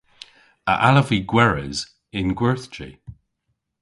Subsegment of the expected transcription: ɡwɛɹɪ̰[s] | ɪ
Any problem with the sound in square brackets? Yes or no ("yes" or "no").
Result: yes